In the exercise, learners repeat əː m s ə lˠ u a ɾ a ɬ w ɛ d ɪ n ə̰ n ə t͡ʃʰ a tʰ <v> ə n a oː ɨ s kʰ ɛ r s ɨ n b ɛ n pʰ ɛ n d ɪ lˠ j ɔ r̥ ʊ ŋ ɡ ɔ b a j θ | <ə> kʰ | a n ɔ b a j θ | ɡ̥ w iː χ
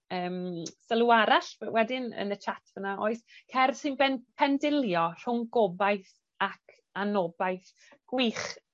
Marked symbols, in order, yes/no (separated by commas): yes, no